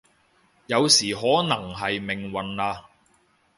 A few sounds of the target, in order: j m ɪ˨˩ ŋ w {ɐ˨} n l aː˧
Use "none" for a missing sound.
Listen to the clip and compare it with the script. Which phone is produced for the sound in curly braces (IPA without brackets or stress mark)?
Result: ɐ˨